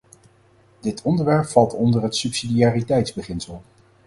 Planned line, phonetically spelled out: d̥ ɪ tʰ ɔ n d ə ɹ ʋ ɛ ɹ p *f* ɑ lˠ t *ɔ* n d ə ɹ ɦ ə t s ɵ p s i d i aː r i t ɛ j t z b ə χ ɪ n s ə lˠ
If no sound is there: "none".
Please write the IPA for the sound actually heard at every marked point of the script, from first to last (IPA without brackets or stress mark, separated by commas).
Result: f, ɔ